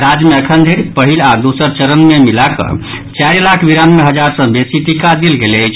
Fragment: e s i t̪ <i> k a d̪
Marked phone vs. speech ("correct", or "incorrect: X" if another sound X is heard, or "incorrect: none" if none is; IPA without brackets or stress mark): correct